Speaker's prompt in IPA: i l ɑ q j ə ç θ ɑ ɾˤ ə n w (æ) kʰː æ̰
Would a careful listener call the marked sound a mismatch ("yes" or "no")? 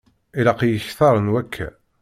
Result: no